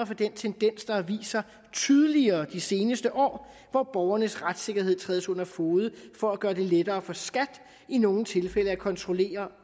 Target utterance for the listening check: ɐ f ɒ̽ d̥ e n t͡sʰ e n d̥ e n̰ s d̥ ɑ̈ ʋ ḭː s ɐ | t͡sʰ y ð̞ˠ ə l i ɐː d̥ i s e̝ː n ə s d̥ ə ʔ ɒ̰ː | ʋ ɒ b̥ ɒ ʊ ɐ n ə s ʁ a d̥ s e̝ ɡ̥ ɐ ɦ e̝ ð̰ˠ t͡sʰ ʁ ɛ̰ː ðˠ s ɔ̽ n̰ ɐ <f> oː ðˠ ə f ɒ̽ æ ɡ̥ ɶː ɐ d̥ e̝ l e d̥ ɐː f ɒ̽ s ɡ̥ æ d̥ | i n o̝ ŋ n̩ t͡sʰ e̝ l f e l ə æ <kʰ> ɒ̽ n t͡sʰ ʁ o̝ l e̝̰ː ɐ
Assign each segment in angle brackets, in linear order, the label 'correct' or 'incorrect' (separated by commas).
correct, correct